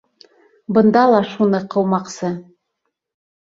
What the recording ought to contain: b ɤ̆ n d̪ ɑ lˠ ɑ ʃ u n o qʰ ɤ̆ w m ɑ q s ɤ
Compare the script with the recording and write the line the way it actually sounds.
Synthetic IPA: b ɤ̆ n d̪ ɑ lˠ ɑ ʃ u n ɤ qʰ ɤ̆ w m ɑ q s ɤ